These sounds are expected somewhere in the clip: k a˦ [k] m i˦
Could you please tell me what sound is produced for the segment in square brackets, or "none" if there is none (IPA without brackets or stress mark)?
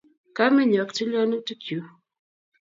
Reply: none